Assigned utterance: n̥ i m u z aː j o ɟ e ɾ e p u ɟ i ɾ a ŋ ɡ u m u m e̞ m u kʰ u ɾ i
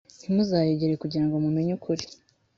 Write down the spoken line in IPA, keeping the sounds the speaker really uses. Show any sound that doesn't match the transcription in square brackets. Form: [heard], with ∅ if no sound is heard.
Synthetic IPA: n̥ i m u z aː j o ɟ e ɾ e [k] u ɟ i ɾ a ŋ ɡ [o] m u m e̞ [ɲ] u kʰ u ɾ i

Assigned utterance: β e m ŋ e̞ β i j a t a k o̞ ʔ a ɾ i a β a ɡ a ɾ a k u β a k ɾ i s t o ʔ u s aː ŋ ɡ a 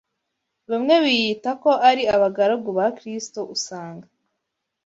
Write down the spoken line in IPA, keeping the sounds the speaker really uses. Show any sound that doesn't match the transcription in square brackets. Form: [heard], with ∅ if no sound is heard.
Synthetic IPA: β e m ŋ e̞ β i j [i] t a k o̞ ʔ a ɾ i a β a ɡ a ɾ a [ɡ] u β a k ɾ i s t o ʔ u s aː ŋ ɡ a

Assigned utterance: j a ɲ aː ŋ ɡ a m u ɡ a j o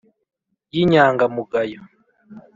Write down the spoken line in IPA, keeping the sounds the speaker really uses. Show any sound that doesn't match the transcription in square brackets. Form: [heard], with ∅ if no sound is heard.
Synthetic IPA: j [i] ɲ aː ŋ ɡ a m u ɡ a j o

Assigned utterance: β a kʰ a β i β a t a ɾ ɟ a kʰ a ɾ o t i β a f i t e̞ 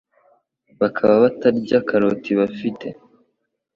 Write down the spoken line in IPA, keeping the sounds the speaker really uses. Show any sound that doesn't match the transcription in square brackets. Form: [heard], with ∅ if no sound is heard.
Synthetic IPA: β a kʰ a β [a] β a t a ɾ ɟ a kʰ a ɾ o t i β a f i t e̞

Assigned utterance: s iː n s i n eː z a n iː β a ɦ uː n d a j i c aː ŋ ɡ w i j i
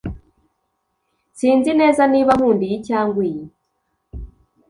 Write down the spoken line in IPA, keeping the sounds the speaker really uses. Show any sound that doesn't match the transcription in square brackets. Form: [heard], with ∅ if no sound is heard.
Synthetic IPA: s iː n [z] i n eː z a n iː β a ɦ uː n d [i] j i c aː ŋ ɡ w i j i

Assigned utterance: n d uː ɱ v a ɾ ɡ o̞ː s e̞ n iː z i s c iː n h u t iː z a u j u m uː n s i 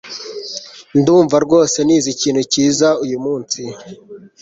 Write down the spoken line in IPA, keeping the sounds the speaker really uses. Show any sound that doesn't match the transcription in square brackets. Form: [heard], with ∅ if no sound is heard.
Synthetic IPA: n d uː ɱ v a ɾ ɡ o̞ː s e̞ n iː z i [∅] c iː n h u [c] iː z a u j u m uː n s i

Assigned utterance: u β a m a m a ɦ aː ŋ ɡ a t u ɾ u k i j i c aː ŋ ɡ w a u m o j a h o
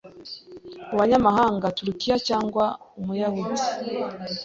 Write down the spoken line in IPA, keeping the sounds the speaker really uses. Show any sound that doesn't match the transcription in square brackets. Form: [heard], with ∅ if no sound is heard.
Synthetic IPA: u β a [ɲ] a m a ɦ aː ŋ ɡ a t u ɾ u k i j [a] c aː ŋ ɡ w a u m [u] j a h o

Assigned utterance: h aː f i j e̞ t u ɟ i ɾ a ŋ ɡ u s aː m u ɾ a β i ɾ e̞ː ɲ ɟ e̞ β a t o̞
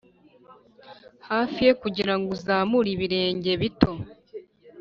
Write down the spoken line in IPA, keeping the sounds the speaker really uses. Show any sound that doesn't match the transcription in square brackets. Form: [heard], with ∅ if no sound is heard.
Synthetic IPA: h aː f i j e̞ [k] u ɟ i ɾ a ŋ ɡ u [z] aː m u ɾ [i] β i ɾ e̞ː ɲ ɟ e̞ β [i] t o̞

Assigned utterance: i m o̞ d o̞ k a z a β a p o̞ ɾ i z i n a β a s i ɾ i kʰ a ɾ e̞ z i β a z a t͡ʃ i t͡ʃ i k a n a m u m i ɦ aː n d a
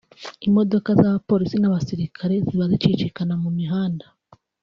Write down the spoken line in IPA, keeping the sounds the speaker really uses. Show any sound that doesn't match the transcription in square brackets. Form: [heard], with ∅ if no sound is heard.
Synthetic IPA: i m o̞ d o̞ k a z a β a p o̞ ɾ i [s] i n a β a s i ɾ i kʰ a ɾ e̞ z i β a z [i] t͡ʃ i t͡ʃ i k a n a m u m i ɦ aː n d a

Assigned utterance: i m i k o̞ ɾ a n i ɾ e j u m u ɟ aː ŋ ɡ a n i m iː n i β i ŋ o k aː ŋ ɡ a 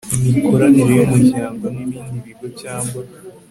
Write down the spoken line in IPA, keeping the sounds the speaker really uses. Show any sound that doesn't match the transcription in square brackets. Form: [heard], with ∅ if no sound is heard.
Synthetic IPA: i m i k o̞ ɾ a n i ɾ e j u m u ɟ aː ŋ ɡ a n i m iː n i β i [ɡ] o [c] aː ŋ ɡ a

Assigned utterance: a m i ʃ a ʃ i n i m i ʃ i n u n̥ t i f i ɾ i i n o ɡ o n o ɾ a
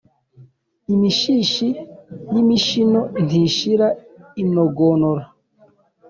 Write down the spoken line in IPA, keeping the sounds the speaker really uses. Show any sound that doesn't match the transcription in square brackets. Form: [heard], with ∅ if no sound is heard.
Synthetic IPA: [i] m i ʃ [i] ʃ i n i m i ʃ i n [o] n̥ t i [ʃ] i ɾ [a] i n o ɡ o n o ɾ a

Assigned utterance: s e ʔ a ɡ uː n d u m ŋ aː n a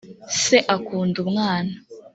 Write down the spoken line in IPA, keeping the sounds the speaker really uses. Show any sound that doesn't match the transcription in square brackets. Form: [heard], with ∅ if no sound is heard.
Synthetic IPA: s e ʔ a [k] uː n d u m ŋ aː n a

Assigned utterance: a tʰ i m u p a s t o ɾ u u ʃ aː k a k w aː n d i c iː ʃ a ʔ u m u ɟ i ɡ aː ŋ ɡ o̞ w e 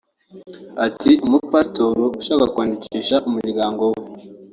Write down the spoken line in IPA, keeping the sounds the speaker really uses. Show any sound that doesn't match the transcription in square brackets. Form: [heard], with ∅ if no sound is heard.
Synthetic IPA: a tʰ i m u p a s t o ɾ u u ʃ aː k a k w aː n d i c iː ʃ a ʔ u m u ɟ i ɡ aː ŋ ɡ o̞ w e

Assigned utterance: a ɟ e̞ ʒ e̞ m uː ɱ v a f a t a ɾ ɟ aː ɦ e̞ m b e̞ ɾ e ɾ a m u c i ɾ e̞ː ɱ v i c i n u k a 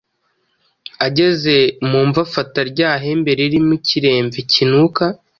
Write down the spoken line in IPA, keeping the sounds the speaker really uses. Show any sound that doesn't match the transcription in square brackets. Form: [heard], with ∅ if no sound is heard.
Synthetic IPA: a ɟ e̞ [z] e̞ m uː ɱ v a f a t a ɾ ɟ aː ɦ e̞ m b e̞ ɾ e ɾ [i] m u c i ɾ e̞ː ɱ v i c i n u k a

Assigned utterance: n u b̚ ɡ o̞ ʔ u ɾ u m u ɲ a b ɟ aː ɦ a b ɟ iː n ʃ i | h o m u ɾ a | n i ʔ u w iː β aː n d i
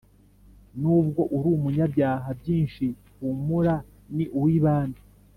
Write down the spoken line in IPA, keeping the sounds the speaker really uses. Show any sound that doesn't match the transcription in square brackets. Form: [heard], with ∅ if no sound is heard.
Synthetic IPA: n u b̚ ɡ o̞ ʔ u ɾ u m u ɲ a b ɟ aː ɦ a b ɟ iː n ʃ i | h [u] m u ɾ a | n i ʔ u w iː β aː n d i

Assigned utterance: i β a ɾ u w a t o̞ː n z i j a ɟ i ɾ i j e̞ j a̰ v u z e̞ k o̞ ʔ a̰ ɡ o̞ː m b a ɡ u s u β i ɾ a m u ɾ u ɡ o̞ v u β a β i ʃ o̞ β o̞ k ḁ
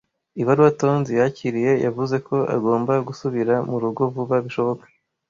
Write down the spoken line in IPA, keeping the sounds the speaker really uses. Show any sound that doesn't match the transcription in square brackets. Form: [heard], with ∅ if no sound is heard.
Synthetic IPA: i β a ɾ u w a t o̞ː n z i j a [c] i ɾ i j e̞ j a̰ v u z e̞ k o̞ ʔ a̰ ɡ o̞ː m b a ɡ u s u β i ɾ a m u ɾ u ɡ o̞ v u β a β i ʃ o̞ β o̞ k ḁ

